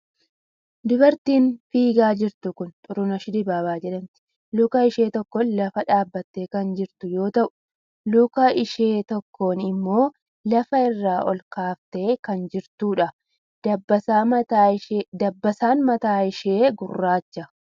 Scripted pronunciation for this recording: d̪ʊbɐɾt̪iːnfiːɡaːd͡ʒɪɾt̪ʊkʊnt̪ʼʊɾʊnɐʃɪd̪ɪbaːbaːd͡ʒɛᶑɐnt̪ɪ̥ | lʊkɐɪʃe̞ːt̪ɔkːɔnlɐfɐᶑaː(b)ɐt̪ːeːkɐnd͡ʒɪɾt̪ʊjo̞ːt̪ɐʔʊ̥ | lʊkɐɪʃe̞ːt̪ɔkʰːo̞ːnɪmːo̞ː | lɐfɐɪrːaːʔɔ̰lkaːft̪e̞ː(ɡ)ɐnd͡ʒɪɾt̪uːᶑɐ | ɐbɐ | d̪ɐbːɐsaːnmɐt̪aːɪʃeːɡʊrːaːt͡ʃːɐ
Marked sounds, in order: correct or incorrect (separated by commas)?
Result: incorrect, incorrect